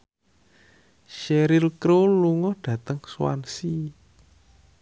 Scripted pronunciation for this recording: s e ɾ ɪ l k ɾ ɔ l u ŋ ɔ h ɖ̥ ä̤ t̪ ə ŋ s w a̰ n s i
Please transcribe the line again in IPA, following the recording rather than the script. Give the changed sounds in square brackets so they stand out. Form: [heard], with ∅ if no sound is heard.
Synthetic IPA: [ʃ] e ɾ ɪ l k ɾ [o] l u ŋ ɔ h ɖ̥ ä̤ t̪ ə ŋ s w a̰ n s i